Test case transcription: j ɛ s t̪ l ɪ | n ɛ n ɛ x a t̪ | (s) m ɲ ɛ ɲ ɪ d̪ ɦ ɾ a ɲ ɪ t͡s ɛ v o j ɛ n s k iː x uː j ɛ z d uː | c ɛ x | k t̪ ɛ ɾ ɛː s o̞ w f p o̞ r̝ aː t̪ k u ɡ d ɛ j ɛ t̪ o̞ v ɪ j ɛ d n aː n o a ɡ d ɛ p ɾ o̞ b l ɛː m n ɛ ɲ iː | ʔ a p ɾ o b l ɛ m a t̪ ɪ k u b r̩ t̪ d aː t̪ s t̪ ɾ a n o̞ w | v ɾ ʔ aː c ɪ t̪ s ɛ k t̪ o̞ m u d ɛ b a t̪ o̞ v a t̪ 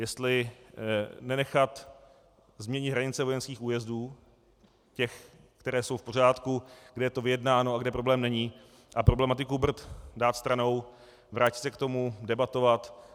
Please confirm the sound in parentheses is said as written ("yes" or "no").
no